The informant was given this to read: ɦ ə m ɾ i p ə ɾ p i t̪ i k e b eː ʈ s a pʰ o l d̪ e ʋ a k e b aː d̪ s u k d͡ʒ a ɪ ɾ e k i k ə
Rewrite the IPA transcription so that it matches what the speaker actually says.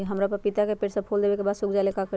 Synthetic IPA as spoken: ɦ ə m ɾ a p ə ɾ p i t̪ a k e p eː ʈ s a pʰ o l d̪ e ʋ e k e b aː d̪ s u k d͡ʒ a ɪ l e k a k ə